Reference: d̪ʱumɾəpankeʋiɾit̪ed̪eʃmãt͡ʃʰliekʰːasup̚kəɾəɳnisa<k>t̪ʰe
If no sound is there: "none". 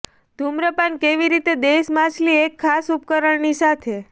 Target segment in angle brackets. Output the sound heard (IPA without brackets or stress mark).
none